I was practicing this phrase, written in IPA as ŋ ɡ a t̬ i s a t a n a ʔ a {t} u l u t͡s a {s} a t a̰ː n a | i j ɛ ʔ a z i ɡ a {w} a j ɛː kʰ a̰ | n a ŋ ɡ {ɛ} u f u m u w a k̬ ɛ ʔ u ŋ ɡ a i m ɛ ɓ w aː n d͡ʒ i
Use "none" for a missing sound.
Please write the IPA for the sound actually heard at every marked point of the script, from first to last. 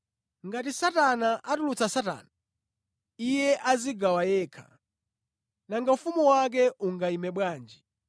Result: t, s, w, a

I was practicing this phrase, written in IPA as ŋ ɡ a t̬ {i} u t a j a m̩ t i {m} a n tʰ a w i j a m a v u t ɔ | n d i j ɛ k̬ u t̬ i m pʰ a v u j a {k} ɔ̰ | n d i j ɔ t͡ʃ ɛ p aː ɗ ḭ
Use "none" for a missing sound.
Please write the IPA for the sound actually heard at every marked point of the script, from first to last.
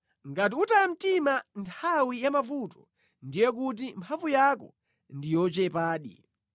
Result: i, m, k

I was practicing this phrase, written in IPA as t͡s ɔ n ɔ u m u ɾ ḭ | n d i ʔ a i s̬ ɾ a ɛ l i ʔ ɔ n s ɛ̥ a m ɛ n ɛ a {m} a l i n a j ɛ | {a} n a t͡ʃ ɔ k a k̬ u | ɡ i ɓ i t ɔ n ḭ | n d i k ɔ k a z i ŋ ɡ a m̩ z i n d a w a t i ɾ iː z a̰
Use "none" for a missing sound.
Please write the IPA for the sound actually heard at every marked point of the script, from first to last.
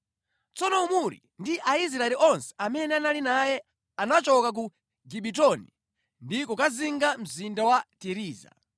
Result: n, a

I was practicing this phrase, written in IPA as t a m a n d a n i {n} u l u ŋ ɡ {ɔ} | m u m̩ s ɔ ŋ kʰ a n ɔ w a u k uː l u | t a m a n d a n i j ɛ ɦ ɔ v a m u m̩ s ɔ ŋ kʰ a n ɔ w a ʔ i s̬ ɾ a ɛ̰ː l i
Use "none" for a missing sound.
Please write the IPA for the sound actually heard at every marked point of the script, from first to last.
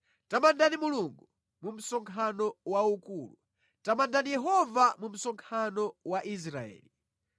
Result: m, u

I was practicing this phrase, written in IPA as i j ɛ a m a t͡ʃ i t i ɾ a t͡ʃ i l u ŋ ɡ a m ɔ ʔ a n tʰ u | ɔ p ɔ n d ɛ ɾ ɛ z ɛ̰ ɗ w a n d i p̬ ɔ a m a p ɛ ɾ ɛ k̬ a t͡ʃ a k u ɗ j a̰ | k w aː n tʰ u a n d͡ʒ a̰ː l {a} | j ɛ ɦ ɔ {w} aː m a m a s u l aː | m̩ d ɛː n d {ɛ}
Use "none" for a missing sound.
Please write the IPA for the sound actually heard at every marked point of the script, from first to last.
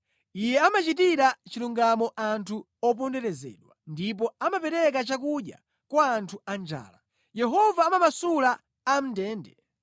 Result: a, v, ɛ

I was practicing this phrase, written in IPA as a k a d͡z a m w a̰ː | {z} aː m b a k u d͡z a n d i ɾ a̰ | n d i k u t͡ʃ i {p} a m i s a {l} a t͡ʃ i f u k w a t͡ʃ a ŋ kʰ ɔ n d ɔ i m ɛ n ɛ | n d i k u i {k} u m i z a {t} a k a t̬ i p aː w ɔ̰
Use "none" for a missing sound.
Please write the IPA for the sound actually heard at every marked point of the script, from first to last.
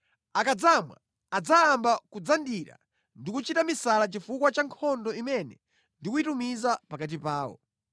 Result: d͡z, t, l, t, p

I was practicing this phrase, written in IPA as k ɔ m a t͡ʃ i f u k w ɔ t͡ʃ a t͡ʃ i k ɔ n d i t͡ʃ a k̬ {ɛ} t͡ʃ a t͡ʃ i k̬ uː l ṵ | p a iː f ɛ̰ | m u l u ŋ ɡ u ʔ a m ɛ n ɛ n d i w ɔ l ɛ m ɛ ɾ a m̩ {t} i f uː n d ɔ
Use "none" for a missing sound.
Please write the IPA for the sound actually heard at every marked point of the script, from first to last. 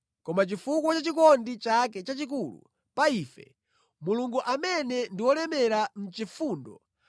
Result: ɛ, t͡ʃ

